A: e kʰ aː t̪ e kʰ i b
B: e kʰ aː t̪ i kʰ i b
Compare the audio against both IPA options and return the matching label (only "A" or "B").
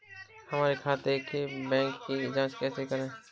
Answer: A